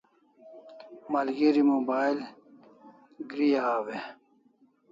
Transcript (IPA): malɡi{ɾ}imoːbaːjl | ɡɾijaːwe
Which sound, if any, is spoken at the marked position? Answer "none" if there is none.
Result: ɾ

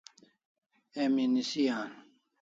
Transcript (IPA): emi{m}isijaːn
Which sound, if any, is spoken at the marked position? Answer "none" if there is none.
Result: n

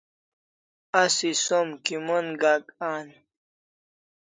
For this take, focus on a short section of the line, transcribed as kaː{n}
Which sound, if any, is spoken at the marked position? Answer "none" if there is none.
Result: n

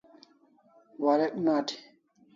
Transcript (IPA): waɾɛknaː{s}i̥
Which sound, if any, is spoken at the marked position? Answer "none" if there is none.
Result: t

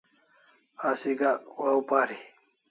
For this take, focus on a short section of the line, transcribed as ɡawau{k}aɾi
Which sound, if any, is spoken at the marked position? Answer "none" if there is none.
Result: p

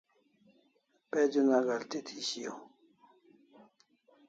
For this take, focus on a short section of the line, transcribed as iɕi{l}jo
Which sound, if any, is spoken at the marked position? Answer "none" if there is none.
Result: none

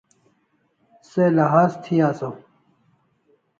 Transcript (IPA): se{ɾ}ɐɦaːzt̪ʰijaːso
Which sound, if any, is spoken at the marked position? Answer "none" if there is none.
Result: l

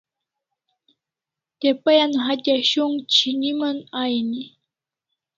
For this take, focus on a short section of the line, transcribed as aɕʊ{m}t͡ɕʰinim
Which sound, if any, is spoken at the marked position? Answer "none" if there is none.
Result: ŋ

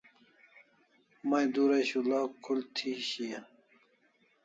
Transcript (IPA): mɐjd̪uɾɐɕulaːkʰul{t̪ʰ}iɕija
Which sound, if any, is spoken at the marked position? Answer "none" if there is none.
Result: t̪ʰ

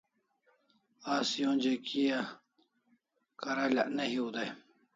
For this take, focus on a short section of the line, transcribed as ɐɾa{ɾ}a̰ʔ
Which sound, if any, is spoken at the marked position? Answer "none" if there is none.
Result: l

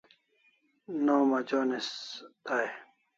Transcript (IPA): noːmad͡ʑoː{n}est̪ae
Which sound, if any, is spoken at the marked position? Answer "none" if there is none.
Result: n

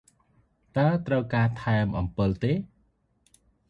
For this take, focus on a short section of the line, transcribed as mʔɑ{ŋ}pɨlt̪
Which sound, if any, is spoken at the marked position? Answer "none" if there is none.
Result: m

